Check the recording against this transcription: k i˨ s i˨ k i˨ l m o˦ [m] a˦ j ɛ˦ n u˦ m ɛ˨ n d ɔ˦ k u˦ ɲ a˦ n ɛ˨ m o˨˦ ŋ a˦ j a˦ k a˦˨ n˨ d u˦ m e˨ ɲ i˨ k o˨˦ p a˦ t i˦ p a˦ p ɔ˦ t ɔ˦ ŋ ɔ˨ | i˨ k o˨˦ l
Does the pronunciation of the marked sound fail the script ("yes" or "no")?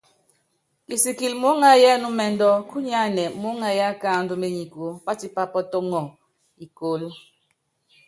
yes